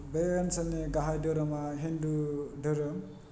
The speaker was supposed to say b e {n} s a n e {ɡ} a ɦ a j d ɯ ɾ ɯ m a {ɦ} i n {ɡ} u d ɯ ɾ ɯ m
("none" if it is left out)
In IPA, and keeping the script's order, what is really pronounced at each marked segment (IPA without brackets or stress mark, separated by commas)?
n, ɡ, ɦ, d